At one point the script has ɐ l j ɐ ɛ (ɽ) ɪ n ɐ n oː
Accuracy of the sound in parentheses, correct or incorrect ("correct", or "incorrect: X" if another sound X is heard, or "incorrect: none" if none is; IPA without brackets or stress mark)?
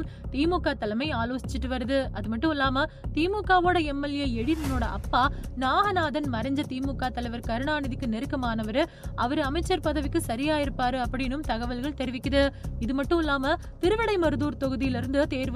correct